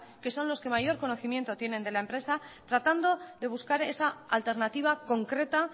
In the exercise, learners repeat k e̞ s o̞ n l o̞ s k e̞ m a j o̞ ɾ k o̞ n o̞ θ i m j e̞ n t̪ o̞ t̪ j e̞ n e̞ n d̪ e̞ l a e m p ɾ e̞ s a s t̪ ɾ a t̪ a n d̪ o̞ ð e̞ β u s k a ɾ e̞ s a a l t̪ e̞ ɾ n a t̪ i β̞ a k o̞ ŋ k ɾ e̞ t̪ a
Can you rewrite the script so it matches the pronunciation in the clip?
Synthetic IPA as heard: k e̞ s o̞ n l o̞ s k e̞ m a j o̞ ɾ k o̞ n o̞ θ i m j e̞ n t̪ o̞ t̪ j e̞ n e̞ n d̪ e̞ l a e m p ɾ e̞ s a t̪ ɾ a t̪ a n d̪ o̞ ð e̞ β u s k a ɾ e̞ s a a l t̪ e̞ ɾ n a t̪ i β̞ a k o̞ ŋ k ɾ e̞ t̪ a